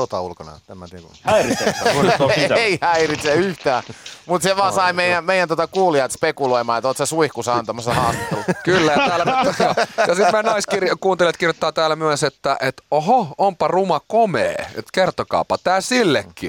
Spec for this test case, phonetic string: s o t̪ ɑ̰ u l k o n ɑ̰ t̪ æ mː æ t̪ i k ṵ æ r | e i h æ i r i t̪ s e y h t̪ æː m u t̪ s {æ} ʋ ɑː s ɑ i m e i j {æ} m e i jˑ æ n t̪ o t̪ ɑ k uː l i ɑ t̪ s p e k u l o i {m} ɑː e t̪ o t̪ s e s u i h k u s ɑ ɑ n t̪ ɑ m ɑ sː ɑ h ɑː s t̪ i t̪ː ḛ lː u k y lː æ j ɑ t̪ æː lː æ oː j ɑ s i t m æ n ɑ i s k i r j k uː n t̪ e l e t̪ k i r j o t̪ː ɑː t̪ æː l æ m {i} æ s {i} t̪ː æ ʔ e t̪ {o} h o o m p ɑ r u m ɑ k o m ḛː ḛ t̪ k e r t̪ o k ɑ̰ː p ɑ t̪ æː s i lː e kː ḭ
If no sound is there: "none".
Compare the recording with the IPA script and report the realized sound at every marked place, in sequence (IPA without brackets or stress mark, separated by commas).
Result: e, æ, m, y, e, o